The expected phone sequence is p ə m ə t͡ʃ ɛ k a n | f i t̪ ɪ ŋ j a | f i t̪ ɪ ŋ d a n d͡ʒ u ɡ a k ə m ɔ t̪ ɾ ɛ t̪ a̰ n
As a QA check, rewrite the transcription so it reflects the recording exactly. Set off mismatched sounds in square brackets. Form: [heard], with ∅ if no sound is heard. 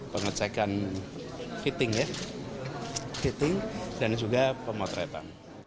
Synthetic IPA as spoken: p ə [ŋ] ə t͡ʃ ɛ k a n | f i t̪ ɪ ŋ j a | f i t̪ ɪ ŋ d a n d͡ʒ u ɡ a [p] ə m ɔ t̪ ɾ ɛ t̪ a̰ n